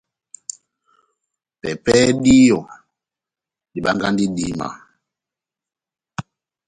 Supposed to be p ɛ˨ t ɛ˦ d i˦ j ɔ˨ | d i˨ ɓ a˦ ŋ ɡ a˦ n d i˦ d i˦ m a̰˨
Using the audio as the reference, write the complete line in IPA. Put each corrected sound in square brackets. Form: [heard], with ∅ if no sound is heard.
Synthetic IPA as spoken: p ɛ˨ [p] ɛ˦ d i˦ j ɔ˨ | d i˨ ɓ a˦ ŋ ɡ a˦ n d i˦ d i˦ m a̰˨